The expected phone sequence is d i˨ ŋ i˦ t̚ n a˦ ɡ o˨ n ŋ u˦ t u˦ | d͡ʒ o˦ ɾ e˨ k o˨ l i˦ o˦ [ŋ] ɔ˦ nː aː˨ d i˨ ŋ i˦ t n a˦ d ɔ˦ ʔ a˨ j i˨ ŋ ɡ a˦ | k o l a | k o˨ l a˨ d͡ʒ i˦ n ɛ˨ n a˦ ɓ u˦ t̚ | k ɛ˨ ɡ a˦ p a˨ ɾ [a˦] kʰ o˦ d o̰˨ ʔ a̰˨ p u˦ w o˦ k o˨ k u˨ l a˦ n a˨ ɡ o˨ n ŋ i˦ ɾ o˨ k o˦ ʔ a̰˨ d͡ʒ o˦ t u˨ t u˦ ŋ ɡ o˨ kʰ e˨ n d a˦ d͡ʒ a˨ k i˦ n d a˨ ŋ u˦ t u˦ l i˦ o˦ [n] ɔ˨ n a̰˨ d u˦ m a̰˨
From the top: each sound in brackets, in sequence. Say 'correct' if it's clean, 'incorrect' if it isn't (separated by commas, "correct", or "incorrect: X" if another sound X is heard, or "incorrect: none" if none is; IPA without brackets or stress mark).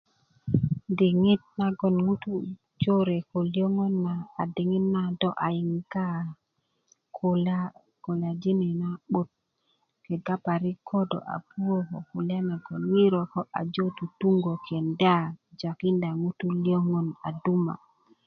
correct, incorrect: i˦, incorrect: ŋ